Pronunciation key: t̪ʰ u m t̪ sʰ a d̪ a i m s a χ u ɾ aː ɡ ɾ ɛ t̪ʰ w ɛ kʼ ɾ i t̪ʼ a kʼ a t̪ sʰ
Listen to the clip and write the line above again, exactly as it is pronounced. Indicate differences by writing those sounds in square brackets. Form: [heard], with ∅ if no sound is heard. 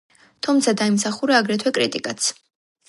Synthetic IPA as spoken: t̪ʰ u m t̪ sʰ a d̪ a i m s a χ u ɾ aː ɡ ɾ ɛ t̪ʰ w ɛ kʼ ɾ i t̪ʼ [i] kʼ a t̪ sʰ